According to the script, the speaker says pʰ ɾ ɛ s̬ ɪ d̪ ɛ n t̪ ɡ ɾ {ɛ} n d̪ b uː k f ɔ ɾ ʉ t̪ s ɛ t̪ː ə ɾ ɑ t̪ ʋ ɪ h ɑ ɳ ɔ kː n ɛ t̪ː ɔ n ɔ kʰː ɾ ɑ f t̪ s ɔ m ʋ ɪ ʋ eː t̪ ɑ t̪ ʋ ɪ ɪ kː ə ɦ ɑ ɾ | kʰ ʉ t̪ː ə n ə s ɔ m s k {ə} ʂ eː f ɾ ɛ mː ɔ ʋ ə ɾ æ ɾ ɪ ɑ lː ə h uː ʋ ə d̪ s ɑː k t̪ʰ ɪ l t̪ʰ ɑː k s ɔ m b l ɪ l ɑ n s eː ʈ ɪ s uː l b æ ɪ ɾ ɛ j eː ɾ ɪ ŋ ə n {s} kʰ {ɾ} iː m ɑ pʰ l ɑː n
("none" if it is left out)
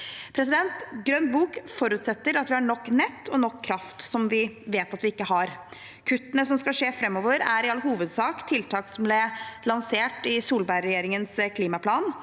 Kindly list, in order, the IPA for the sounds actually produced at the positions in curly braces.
œ, ɑ, s, l

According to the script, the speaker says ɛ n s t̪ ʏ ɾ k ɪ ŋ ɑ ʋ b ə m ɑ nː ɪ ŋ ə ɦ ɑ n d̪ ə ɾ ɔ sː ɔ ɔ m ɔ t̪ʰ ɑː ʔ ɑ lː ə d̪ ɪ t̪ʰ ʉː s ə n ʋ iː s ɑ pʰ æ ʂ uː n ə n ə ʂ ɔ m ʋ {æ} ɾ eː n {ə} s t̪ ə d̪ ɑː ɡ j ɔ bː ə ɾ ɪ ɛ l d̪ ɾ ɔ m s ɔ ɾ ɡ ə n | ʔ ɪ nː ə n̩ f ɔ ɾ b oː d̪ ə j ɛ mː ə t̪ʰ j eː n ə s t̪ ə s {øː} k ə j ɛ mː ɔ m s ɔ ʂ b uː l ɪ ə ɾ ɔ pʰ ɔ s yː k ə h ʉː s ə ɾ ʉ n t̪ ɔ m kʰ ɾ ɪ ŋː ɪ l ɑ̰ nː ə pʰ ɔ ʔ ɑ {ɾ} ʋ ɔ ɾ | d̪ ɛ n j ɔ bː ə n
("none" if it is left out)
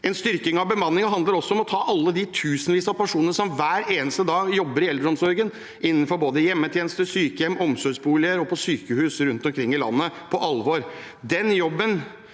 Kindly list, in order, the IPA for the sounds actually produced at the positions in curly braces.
æː, ə, yː, l

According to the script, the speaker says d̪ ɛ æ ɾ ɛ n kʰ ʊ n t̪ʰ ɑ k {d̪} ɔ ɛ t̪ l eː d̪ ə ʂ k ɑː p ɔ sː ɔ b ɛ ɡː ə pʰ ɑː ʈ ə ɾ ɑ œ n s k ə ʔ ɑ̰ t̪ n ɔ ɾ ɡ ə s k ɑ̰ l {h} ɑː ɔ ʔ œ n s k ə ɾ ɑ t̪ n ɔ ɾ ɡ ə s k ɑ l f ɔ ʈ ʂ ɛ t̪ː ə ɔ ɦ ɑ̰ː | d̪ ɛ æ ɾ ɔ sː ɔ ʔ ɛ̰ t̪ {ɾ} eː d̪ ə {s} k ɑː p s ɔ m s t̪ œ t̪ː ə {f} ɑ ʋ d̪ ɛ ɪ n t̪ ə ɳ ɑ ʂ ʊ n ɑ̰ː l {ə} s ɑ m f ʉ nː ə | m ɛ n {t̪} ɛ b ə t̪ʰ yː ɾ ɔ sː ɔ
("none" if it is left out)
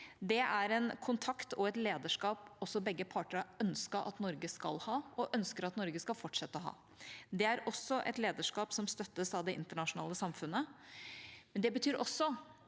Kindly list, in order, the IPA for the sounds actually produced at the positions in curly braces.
t̪, h, l, ʂ, s, ə, d̪

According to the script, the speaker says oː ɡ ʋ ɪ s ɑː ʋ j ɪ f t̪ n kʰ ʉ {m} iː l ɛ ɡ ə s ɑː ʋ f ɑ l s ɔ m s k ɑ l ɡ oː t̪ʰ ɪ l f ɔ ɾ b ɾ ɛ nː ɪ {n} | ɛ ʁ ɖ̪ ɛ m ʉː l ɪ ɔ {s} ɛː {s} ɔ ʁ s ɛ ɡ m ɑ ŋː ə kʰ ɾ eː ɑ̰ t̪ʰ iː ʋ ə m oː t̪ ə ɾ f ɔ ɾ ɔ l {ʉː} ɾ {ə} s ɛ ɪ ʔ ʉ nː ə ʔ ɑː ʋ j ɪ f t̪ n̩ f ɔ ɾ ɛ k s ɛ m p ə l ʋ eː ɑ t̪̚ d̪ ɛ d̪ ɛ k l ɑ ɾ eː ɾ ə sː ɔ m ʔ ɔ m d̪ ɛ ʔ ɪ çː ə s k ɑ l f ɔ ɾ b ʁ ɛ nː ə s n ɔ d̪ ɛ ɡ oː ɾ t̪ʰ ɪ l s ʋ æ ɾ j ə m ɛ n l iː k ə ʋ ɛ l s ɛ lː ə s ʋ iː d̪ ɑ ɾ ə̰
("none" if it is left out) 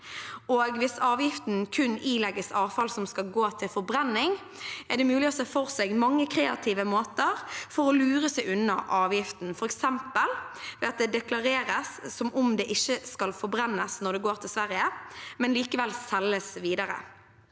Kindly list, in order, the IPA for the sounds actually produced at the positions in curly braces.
n, ŋ, s, f, ʉː, ə

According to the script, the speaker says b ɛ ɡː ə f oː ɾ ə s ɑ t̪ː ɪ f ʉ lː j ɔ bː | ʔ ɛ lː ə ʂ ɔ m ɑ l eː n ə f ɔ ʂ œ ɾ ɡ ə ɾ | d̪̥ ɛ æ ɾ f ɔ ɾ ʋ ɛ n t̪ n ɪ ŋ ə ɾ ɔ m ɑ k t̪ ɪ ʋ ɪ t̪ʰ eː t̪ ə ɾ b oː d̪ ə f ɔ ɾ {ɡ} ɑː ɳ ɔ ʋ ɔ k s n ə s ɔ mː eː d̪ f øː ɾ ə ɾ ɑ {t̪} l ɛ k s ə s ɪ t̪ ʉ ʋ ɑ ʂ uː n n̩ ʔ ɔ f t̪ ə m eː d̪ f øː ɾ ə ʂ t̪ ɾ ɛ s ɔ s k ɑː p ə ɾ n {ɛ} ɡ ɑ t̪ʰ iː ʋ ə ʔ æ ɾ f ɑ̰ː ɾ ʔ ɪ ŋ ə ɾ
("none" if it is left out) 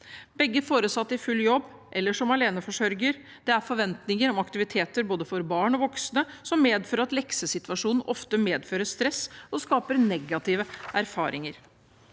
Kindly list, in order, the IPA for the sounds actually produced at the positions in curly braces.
b, t̪, ɛ

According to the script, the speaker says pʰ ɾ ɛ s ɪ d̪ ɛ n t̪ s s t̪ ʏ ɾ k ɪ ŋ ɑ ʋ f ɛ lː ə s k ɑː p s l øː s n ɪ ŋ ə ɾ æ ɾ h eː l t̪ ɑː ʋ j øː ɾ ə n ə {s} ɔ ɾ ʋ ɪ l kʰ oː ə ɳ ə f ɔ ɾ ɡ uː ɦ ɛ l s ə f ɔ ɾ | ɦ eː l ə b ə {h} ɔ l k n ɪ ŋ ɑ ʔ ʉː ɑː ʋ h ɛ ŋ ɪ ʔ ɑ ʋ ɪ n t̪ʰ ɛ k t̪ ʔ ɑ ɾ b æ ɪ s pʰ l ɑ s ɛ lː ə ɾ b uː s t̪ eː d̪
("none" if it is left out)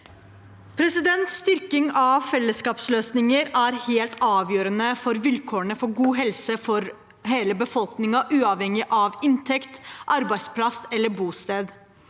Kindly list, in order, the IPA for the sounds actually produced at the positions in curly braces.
f, f

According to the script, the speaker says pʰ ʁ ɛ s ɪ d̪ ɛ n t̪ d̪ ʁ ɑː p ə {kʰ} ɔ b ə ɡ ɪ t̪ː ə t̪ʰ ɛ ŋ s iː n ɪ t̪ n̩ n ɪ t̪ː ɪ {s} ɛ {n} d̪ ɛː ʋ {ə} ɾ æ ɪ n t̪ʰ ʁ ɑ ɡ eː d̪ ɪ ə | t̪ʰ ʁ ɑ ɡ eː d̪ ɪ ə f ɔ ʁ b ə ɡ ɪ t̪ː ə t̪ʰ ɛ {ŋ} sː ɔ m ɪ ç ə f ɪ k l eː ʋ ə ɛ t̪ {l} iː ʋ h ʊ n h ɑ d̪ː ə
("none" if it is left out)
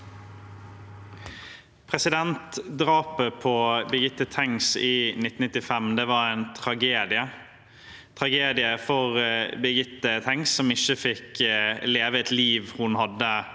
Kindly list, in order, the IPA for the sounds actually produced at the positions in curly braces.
pʰ, f, m, ɑ, ŋ, l

